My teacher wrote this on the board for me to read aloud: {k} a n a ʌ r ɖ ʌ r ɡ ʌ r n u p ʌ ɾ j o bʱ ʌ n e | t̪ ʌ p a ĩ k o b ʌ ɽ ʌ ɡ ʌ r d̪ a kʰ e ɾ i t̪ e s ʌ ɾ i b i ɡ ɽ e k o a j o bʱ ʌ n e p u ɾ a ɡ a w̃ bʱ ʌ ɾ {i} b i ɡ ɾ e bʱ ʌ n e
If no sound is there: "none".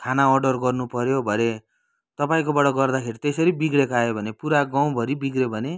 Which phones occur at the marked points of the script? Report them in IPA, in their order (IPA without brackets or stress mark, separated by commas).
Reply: kʰ, i